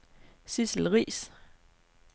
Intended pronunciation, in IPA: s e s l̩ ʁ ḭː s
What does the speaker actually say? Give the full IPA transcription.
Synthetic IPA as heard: s i s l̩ ʁ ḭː s